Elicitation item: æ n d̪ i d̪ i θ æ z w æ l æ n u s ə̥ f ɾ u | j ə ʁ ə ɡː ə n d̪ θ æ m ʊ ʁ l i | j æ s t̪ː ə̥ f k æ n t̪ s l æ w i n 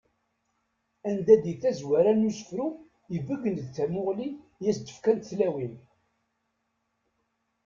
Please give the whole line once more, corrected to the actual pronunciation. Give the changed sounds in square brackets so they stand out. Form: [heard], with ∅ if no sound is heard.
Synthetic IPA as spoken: æ n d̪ [æ] d̪ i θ æ z w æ [ɾ] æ n u s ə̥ f ɾ u | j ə [v] ə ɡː ə n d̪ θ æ m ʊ ʁ l i | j æ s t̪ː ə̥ f k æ n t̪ [θ] l æ w i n